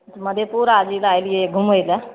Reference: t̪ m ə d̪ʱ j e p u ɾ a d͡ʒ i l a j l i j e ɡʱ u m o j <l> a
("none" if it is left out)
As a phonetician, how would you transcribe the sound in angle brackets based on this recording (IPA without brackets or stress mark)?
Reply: l